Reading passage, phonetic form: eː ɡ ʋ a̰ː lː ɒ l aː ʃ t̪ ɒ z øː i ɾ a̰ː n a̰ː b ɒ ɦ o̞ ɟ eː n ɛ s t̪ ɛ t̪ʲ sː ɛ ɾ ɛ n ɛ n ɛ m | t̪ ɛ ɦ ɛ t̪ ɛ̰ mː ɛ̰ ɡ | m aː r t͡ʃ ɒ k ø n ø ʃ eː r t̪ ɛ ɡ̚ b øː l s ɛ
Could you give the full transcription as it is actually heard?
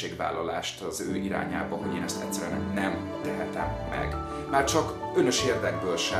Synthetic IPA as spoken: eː ɡ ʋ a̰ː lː ɒ l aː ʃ t̪ ɒ z øː i ɾ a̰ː ɲ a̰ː b ɒ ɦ o̞ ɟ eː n ɛ s t̪ ɛ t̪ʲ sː ɛ ɾ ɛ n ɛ n ɛ m | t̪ ɛ ɦ ɛ t̪ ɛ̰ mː ɛ̰ ɡ | m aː r t͡ʃ ɒ k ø n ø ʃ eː r d̪ ɛ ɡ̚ b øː l ʃ ɛ